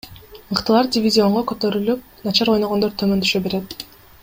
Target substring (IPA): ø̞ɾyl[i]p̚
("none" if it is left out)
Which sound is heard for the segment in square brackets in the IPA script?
y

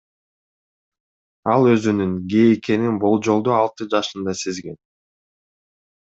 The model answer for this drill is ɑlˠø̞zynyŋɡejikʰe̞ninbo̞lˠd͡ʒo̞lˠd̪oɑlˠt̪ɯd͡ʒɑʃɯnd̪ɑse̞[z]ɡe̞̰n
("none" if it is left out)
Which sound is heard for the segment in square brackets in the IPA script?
z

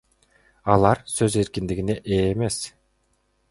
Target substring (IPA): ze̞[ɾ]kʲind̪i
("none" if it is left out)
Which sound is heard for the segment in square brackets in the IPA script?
ɾ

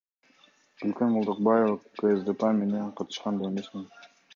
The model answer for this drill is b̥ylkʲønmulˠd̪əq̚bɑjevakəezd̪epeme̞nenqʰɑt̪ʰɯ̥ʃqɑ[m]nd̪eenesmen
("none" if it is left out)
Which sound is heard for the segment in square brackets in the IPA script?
none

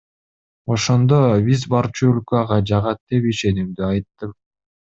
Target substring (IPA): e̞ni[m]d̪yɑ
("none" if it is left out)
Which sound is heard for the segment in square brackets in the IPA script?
m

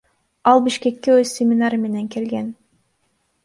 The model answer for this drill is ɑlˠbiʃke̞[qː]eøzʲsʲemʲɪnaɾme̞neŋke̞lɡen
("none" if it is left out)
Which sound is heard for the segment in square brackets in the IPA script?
kː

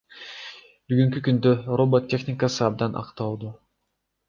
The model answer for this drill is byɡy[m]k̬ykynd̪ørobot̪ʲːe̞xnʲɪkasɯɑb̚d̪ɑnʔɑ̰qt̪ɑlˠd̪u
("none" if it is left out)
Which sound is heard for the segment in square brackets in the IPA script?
ŋ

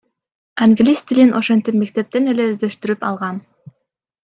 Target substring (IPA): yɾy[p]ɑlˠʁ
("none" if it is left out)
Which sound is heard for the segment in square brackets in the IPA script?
p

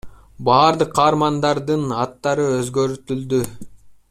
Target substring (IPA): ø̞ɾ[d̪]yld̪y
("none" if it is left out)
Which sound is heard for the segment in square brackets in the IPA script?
t̪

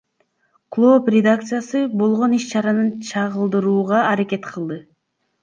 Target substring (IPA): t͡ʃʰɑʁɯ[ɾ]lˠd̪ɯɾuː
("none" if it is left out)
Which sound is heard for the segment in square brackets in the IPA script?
none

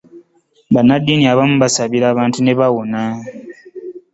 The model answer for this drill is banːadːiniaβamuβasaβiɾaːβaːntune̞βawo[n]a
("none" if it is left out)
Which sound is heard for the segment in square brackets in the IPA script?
n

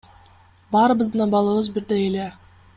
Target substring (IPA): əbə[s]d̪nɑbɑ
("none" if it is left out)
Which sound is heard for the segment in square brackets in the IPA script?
z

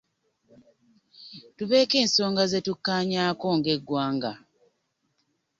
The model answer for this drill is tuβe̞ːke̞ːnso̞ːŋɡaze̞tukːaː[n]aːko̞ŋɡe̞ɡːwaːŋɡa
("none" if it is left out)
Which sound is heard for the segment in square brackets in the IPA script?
ɲ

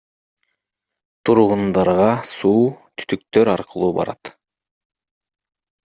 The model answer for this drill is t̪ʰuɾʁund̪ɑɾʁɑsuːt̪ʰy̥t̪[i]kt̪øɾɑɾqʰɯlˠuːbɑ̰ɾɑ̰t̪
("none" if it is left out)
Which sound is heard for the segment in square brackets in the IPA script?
y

